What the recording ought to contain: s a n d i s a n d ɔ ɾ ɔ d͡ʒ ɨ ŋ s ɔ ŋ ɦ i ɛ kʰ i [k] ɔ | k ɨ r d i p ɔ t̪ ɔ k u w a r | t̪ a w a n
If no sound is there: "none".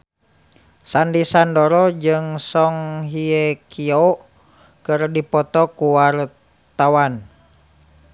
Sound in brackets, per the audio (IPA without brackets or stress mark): none